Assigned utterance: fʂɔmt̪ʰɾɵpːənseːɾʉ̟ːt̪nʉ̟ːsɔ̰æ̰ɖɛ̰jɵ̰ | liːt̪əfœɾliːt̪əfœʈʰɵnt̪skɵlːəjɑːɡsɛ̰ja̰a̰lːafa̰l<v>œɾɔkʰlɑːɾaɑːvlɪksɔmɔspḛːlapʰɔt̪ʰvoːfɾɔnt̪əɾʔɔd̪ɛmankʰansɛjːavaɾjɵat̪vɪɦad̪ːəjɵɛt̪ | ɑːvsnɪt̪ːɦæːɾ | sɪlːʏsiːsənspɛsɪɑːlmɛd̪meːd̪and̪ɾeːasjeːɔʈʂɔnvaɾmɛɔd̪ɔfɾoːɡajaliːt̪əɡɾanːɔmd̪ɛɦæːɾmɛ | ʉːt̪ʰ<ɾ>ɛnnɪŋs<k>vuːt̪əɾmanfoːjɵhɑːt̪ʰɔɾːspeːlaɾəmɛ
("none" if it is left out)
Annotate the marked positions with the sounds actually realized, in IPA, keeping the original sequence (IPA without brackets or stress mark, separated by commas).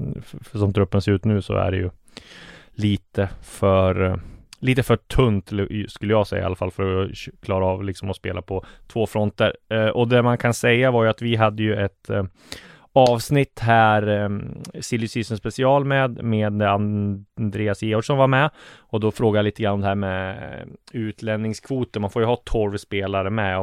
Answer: f, l, kʰ